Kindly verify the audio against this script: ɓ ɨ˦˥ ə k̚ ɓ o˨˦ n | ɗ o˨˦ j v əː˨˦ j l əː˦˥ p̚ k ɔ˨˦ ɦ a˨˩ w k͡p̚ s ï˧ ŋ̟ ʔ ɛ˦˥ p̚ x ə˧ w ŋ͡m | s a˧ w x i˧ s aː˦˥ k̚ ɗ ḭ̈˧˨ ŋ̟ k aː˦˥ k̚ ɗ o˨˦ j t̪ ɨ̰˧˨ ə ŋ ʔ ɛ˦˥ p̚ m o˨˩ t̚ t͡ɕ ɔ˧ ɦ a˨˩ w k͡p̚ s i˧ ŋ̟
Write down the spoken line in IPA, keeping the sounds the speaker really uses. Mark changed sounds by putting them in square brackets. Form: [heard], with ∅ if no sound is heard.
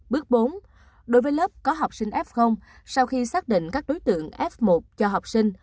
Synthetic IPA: ɓ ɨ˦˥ ə k̚ ɓ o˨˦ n | ɗ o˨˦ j v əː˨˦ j l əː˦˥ p̚ k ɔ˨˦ ɦ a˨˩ w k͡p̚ s ï˧ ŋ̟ ʔ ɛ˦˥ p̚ x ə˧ w ŋ͡m | s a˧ w x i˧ s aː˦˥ k̚ ɗ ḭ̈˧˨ ŋ̟ k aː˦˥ k̚ ɗ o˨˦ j t̪ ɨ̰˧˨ ə ŋ ʔ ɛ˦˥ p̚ m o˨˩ t̚ t͡ɕ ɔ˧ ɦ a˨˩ w k͡p̚ s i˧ ŋ̟